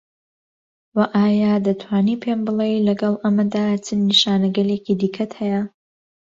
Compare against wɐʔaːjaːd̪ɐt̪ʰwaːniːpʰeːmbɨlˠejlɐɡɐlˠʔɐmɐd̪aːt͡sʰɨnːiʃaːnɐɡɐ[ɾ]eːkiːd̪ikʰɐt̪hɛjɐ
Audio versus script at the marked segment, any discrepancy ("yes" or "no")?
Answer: yes